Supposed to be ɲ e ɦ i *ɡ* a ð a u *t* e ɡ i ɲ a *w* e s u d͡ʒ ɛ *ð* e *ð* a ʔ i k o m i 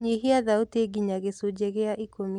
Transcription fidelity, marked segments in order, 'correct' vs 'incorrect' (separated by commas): incorrect, correct, incorrect, incorrect, incorrect